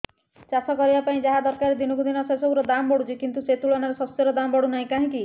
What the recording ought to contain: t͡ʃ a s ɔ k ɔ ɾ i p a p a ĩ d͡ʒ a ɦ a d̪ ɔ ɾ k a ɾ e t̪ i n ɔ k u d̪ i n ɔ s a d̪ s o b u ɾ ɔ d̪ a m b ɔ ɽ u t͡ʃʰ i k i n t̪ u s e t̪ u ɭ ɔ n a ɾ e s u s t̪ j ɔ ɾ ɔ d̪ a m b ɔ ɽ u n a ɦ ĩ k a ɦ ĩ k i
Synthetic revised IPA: t͡ʃ a s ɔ k ɔ ɾ i b a p a ĩ d͡ʒ a ɦ a d̪ ɔ ɾ k a ɾ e d̪ i n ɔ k u d̪ i n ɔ s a s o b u ɾ ɔ d̪ a m b ɔ ɽ u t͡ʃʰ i k i n t̪ u s e t̪ u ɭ ɔ n a ɾ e s ɔ s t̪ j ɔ ɾ ɔ d̪ a m b ɔ ɽ u n a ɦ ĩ k a ɦ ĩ k i